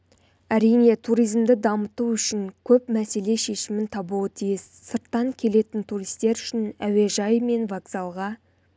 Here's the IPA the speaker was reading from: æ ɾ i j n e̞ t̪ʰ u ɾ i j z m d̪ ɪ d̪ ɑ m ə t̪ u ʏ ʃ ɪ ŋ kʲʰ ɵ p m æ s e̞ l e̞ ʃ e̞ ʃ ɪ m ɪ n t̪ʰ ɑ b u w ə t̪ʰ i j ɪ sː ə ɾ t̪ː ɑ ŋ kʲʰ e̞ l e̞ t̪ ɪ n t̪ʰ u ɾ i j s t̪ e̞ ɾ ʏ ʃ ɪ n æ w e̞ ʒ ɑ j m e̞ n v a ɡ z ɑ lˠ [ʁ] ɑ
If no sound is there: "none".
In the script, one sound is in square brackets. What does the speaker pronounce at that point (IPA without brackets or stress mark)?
ʁ